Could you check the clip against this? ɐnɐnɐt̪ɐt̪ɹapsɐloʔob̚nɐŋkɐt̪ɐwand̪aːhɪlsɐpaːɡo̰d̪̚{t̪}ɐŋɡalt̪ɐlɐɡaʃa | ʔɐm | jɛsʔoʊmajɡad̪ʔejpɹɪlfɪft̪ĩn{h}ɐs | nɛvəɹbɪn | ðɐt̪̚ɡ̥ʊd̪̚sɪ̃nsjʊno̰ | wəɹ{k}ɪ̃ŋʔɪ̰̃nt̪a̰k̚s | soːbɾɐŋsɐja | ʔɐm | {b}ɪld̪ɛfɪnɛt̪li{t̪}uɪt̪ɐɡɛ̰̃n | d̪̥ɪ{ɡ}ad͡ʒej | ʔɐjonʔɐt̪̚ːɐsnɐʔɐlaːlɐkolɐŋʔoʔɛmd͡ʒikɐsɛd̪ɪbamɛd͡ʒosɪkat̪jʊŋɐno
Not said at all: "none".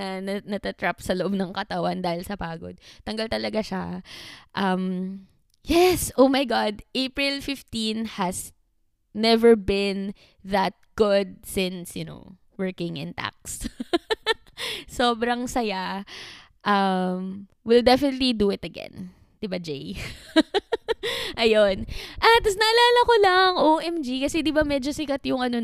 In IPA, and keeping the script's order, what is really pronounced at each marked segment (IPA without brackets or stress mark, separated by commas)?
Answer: t̪, h, k, w, d̪, b